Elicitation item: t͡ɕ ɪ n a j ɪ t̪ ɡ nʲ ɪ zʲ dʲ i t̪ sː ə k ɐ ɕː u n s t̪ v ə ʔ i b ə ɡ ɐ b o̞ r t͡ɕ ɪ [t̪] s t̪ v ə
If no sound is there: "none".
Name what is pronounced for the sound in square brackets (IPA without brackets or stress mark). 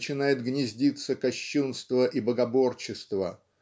none